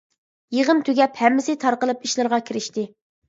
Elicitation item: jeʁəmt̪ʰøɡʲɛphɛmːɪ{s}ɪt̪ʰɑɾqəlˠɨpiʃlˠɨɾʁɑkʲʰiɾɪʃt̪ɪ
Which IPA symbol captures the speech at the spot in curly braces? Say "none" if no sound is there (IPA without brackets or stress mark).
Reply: s